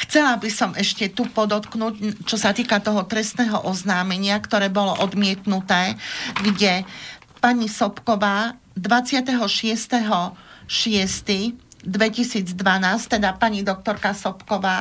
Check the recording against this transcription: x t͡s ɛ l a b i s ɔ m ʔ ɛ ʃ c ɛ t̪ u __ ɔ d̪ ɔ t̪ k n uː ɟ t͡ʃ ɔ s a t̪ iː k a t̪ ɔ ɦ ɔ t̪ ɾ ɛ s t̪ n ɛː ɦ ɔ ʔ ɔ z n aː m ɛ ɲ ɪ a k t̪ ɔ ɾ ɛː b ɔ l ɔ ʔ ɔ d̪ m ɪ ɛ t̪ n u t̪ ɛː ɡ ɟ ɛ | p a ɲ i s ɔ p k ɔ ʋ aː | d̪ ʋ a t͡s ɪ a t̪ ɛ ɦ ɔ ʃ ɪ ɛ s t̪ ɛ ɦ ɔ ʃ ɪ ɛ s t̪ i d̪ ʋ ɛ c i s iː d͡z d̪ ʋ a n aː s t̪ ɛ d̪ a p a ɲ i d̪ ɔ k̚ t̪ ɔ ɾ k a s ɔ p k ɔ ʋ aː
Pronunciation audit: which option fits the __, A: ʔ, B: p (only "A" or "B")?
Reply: B